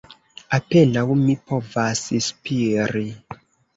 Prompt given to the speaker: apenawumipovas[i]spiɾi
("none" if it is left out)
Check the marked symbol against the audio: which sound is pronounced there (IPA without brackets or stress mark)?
i